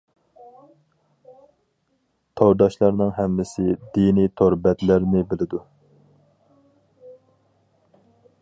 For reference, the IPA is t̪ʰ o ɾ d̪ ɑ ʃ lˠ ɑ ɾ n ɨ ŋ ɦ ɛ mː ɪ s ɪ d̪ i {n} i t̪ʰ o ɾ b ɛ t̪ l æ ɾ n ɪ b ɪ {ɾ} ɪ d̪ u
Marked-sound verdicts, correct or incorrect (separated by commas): correct, incorrect